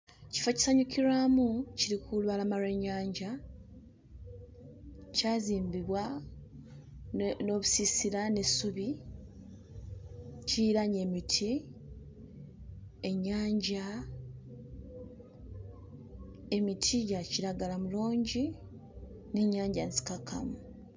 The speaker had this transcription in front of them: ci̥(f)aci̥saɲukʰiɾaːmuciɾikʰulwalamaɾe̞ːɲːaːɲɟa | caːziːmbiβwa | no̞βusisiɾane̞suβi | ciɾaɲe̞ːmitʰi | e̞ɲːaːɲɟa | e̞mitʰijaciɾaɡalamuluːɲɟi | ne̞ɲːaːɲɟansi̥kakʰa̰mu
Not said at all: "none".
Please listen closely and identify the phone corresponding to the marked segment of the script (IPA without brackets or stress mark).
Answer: f